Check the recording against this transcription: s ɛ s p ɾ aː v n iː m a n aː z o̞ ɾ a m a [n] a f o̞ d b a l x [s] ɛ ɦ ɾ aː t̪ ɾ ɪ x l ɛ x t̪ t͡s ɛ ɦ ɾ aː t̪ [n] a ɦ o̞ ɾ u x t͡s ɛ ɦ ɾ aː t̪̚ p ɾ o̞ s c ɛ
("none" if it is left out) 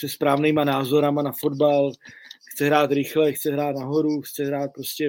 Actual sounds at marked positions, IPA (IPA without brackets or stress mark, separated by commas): n, t͡s, n